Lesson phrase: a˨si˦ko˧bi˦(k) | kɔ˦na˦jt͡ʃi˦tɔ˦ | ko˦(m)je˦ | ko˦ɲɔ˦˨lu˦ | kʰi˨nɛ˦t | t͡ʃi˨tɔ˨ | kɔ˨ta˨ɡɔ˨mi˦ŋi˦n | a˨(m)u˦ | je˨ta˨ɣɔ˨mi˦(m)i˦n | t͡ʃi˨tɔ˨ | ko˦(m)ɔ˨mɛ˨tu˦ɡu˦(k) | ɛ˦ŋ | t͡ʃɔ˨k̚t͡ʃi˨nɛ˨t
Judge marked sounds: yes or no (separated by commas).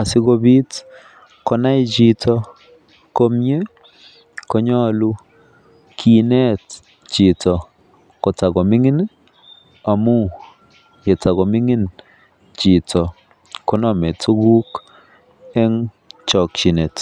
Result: no, yes, yes, no, no, yes